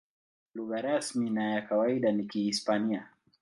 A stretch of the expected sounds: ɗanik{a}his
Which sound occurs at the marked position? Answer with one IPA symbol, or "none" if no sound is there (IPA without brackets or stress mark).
i